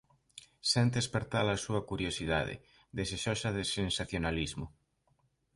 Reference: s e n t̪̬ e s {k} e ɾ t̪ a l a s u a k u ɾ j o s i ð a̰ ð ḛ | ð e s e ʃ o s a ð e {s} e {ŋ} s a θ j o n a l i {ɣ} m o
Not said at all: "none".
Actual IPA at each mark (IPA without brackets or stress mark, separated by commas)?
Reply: p, s, n, z